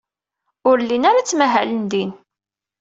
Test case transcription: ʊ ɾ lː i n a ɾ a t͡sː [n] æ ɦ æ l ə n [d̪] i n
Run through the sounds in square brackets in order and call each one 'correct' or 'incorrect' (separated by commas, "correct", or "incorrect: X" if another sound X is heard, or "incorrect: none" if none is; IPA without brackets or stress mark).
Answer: incorrect: m, correct